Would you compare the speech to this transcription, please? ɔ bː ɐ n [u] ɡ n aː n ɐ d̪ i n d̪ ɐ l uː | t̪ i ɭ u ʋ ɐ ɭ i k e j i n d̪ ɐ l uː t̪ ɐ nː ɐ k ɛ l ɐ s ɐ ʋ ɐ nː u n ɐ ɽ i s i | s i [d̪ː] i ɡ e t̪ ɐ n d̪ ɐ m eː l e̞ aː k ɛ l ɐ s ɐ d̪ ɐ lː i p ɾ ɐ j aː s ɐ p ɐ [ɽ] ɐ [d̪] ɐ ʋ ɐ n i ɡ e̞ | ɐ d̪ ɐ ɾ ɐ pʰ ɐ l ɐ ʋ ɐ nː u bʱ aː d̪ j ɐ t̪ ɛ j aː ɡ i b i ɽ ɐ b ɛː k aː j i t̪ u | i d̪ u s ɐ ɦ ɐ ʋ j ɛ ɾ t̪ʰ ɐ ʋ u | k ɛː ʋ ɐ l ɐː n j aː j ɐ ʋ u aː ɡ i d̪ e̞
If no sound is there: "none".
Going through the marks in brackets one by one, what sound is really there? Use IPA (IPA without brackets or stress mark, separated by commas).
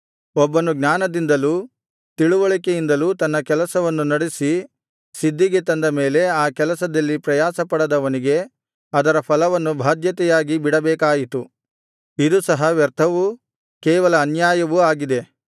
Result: u, d̪ː, ɽ, d̪